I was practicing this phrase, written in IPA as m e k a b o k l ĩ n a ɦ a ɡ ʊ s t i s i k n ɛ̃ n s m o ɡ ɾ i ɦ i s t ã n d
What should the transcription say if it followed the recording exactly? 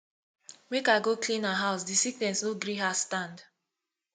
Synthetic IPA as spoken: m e k a ɡ o k l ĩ n a ɦ a ʊ s d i s i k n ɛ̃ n s n o ɡ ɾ i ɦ a s t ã n d